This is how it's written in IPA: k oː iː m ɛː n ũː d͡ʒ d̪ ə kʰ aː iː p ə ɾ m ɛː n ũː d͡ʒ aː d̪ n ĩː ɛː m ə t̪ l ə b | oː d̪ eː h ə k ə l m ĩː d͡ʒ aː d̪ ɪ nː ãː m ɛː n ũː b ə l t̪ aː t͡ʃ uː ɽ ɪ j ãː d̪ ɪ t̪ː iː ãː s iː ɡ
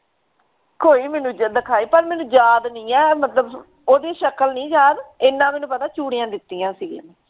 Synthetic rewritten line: k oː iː m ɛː n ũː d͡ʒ d̪ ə kʰ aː iː p ə ɾ m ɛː n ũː d͡ʒ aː d̪ n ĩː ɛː m ə t̪ l ə b | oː d̪ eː ʃ ə k ə l n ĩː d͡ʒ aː d̪ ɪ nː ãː m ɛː n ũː p ə t̪ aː t͡ʃ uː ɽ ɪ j ãː d̪ ɪ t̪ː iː ãː s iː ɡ